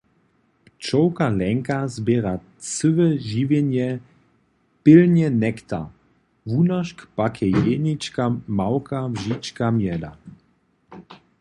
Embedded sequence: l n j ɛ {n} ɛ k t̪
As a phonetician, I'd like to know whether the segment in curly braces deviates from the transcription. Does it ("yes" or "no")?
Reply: no